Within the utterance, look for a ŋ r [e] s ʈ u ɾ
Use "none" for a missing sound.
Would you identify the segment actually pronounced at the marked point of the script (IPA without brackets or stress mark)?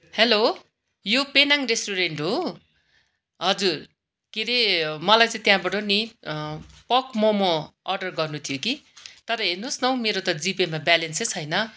e